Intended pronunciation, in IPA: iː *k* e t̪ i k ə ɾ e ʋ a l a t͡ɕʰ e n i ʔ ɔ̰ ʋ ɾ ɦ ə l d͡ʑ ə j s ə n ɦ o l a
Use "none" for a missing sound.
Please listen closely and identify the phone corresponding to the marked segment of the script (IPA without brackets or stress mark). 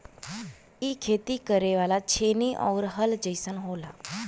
kʰ